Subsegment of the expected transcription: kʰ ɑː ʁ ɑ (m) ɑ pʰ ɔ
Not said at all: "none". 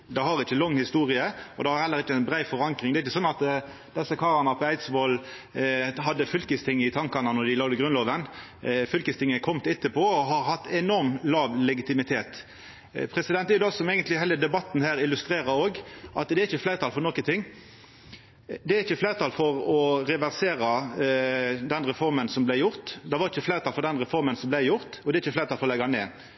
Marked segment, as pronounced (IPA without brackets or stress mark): n